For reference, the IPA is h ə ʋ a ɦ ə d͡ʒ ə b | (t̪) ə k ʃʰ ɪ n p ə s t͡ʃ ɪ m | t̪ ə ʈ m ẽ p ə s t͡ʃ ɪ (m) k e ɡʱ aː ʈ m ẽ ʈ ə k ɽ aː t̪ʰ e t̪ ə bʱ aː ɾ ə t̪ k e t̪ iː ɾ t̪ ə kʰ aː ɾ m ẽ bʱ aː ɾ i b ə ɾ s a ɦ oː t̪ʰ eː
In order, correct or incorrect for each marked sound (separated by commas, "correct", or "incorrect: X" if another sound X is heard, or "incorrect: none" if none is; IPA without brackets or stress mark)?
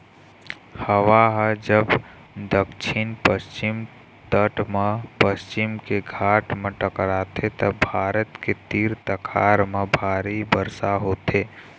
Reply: incorrect: d̪, correct